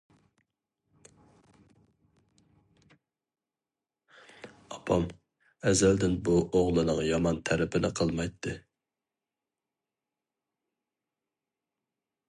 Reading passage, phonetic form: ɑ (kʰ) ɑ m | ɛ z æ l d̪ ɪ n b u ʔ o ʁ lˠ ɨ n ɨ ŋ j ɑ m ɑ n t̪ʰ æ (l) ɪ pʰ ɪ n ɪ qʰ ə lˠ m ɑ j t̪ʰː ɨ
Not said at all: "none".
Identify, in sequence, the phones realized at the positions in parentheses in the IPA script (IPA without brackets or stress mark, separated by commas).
pʰ, ɾ